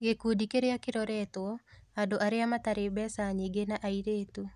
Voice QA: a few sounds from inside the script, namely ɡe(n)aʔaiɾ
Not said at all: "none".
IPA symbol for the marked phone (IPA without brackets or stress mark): n